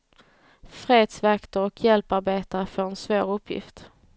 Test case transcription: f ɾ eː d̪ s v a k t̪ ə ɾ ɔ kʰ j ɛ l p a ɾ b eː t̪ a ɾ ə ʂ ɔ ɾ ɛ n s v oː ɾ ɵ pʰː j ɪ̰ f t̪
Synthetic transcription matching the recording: f ɾ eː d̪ s v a k t̪ ə ɾ ɔ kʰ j ɛ l p a ɾ b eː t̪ a ɾ ə f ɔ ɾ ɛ n s v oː ɾ ɵ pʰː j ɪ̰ f t̪